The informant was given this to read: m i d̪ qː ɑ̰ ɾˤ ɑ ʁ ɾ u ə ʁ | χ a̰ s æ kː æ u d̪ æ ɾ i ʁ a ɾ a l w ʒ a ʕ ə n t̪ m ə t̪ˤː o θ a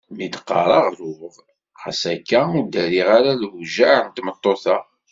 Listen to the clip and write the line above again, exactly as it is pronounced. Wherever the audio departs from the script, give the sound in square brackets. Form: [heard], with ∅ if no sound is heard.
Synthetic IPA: m i d̪ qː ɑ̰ ɾˤ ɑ ʁ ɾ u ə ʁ | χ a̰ s æ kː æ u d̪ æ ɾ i ʁ a ɾ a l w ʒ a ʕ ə n t̪ m ə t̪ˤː o θ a

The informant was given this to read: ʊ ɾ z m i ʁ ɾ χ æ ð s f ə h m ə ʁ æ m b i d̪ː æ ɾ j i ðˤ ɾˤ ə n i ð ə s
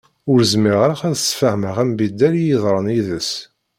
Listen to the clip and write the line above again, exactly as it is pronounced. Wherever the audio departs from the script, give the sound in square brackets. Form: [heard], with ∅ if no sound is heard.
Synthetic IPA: ʊ ɾ z m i ʁ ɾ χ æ ð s f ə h m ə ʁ æ m b i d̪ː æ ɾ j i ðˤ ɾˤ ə n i ð ə s

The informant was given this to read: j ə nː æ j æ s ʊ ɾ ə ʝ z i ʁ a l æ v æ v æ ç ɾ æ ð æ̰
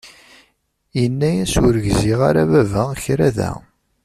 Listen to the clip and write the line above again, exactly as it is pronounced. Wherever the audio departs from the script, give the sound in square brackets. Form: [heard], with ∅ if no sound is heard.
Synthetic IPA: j ə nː æ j æ s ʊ ɾ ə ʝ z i ʁ a [ɾ] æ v æ v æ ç ɾ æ ð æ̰

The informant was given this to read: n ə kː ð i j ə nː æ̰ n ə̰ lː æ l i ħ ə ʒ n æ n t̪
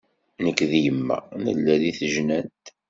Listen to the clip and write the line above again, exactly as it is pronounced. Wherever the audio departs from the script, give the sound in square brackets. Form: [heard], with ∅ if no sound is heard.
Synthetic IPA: n ə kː ð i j ə [mː] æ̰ n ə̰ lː æ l i [θ] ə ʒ n æ n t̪

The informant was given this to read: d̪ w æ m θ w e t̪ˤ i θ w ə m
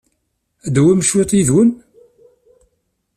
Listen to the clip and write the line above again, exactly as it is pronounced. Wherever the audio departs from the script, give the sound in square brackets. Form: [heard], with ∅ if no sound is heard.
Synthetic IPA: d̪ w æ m [ʃ] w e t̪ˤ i [ð] w ə [n]

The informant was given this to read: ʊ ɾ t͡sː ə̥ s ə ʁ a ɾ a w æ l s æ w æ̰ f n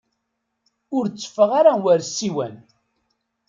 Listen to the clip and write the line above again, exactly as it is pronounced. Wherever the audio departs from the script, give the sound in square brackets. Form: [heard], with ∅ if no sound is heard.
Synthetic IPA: ʊ ɾ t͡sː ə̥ [f] ə ʁ a ɾ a w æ [ɾ] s [i] w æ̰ [∅] n

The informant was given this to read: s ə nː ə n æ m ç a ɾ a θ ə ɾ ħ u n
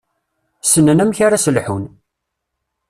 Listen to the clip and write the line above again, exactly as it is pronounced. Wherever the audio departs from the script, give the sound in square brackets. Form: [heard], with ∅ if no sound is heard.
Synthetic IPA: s ə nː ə n æ m ç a ɾ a [s] ə [l] ħ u n

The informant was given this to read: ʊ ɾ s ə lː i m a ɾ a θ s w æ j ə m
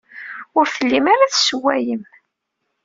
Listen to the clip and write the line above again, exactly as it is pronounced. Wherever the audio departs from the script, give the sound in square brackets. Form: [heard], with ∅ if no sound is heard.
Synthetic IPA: ʊ ɾ [θ] ə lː i m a ɾ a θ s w æ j ə m

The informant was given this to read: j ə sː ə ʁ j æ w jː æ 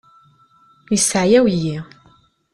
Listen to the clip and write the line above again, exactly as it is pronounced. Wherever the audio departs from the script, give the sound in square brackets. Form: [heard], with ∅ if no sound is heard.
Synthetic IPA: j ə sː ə [ʕ] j æ w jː [i]

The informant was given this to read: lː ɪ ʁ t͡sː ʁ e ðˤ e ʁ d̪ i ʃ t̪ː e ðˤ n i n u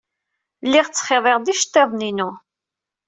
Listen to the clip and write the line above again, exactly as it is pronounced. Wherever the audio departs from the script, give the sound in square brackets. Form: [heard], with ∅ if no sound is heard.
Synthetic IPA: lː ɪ ʁ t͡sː [χ] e ðˤ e ʁ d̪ i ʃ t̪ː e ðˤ n i n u

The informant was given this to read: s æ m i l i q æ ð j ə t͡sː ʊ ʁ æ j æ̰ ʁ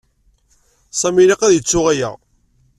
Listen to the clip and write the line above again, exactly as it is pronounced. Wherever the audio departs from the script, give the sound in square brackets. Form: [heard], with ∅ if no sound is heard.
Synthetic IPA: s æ m i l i q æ ð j ə t͡sː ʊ ʁ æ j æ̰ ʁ

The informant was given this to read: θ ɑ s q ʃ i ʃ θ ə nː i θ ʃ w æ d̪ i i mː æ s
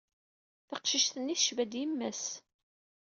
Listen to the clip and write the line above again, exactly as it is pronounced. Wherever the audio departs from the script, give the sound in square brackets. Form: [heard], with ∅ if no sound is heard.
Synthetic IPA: θ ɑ [∅] q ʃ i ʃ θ ə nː i θ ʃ [v] æ d̪ [j] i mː æ s

